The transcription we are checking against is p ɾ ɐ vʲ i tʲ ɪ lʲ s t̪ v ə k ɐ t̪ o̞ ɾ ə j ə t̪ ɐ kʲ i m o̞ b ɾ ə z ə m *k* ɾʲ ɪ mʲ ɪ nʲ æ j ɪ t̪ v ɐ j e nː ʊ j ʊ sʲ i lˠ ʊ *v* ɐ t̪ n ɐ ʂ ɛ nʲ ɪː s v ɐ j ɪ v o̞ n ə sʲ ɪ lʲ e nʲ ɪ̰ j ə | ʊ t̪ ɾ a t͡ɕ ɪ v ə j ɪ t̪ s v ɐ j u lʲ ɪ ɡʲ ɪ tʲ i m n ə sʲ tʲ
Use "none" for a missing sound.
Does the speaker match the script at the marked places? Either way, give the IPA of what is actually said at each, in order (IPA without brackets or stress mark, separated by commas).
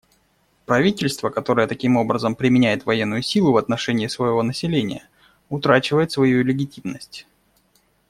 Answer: p, v